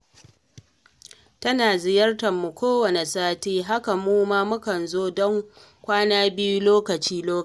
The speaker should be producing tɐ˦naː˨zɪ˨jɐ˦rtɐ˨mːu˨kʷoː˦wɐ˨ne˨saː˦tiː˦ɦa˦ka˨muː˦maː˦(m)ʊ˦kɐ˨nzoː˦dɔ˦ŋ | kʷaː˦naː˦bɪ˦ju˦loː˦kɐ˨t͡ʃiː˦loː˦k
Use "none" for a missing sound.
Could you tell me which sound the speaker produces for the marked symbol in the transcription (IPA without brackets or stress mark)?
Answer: m